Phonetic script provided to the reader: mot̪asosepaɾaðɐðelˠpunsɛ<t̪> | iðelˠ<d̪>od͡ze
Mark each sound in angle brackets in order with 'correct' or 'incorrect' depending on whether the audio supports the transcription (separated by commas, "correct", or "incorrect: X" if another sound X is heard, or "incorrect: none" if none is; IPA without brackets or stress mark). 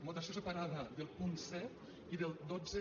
correct, correct